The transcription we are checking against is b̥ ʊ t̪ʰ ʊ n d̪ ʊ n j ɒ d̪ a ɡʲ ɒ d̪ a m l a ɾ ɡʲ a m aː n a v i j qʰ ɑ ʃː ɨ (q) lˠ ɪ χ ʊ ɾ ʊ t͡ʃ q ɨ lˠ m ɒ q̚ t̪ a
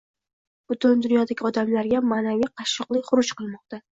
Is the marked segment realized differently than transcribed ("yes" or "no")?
no